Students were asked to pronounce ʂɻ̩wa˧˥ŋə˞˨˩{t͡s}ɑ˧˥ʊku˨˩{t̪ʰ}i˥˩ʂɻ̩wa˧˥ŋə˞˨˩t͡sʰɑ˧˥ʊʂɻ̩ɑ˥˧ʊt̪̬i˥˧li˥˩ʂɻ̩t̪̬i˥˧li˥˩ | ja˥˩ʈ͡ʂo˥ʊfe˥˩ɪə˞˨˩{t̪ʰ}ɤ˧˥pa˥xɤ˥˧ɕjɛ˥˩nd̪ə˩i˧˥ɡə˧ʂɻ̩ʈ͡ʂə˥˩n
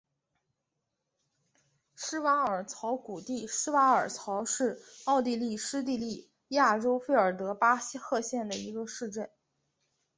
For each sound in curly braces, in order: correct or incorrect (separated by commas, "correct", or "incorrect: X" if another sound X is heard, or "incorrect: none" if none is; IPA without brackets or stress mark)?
incorrect: t͡sʰ, incorrect: t̪, incorrect: t̪